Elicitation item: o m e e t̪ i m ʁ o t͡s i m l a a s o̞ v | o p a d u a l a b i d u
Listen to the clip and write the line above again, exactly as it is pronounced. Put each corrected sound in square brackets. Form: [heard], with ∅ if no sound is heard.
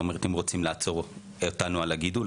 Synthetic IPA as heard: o m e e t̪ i m ʁ o t͡s i m l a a [t͡s] o̞ [ʁ] | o [t] a [n] u a l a [ɡ] i d u